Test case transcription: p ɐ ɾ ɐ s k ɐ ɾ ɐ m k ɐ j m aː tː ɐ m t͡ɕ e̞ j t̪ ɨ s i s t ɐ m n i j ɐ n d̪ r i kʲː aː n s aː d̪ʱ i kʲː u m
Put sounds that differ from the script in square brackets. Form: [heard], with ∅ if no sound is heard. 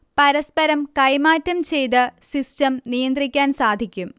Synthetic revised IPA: p ɐ ɾ ɐ s [p] ɐ ɾ ɐ m k ɐ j m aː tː ɐ m t͡ɕ e̞ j t̪ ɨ s i s t ɐ m n i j ɐ n d̪ r i kʲː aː n s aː d̪ʱ i kʲː u m